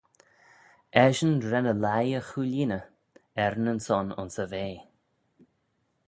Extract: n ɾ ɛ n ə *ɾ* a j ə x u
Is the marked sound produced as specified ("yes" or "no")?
no